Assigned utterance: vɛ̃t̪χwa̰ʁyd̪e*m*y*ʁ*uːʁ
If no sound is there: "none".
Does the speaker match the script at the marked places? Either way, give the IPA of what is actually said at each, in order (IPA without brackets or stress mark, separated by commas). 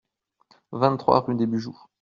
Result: b, ʒ